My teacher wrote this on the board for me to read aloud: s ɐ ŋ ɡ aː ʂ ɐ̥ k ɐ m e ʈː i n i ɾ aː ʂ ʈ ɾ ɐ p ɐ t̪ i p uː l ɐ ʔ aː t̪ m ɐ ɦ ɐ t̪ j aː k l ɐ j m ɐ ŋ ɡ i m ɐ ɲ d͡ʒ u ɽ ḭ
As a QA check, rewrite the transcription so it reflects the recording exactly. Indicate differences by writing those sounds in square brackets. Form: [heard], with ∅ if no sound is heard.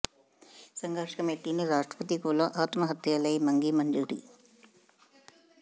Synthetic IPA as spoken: s ɐ ŋ ɡ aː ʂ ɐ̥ k ɐ m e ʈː i n i ɾ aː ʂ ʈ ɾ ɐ p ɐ t̪ i [k] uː l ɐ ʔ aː t̪ m ɐ ɦ ɐ t̪ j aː [∅] l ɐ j m ɐ ŋ ɡ i m ɐ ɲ d͡ʒ u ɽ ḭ

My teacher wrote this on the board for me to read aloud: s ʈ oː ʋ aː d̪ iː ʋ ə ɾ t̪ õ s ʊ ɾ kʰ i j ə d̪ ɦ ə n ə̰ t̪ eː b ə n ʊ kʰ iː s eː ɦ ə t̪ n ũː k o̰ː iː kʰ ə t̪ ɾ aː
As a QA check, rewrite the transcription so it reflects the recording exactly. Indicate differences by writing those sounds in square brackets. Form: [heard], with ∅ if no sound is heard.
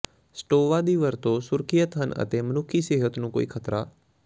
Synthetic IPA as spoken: s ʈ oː ʋ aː d̪ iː ʋ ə ɾ t̪ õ s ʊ ɾ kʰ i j ə [t̪] ɦ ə n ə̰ t̪ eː [m] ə n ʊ kʰ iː s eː ɦ ə t̪ n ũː k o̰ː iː kʰ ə t̪ ɾ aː

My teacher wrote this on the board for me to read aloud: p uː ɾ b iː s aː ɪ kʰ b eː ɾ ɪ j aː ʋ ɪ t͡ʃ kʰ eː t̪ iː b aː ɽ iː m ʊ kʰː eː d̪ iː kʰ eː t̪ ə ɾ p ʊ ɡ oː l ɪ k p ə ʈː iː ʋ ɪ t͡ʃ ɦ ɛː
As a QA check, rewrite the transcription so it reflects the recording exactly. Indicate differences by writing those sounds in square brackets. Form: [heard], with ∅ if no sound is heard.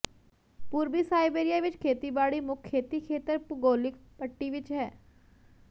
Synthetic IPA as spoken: p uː ɾ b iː s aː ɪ [∅] b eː ɾ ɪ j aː ʋ ɪ t͡ʃ kʰ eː t̪ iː b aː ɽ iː m ʊ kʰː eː [t̪] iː kʰ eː t̪ ə ɾ p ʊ ɡ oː l ɪ k p ə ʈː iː ʋ ɪ t͡ʃ ɦ ɛː

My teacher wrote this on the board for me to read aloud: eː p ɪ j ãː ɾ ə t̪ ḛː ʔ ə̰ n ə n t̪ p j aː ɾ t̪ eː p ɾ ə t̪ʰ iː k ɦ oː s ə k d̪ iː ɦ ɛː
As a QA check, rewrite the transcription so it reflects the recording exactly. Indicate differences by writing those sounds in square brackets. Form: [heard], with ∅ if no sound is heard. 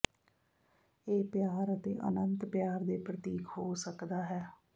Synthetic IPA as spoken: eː p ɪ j [aː] ɾ ə t̪ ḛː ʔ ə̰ n ə n t̪ p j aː ɾ [d̪] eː p ɾ ə [t̪] iː k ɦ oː s ə k d̪ [aː] ɦ ɛː

